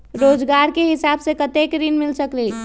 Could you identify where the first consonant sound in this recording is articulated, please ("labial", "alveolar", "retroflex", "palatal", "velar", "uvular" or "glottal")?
alveolar